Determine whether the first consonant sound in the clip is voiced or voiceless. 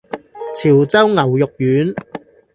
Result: voiceless